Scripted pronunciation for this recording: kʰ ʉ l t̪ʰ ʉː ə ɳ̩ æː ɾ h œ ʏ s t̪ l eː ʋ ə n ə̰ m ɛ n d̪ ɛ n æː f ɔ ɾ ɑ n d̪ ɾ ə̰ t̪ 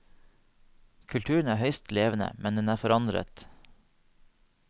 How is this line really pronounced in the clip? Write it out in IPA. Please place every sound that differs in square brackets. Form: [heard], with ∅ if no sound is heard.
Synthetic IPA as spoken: kʰ ʉ l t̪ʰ ʉː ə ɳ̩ æː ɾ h œ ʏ s t̪ l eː ʋ ə n ə̰ m ɛ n d̪ ɛ n æː f ɔ ɾ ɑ n d̪ ɾ ə̰ t̪